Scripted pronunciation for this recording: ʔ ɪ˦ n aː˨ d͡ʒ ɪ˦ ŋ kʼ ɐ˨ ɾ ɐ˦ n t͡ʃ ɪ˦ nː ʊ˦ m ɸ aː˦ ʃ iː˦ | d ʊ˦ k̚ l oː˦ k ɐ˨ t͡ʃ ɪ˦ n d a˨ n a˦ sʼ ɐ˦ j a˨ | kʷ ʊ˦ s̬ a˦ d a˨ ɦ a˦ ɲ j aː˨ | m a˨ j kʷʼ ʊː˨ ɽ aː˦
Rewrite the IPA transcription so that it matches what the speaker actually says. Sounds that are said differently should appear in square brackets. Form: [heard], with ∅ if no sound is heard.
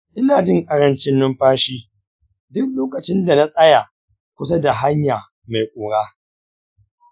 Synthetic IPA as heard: ʔ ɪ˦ n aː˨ d͡ʒ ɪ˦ ŋ kʼ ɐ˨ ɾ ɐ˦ n t͡ʃ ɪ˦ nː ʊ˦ m ɸ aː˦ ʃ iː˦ | d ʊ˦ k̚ l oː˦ k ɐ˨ t͡ʃ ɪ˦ n d a˨ n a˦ sʼ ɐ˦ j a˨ | kʷ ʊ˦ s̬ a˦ d a˨ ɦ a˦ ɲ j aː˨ | m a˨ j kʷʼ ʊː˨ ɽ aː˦